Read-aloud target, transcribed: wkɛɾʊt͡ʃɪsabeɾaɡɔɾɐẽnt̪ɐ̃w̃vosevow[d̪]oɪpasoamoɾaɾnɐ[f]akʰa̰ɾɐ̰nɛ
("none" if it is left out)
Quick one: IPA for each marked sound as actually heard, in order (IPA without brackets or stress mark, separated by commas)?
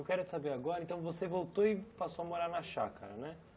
t̪, ʃ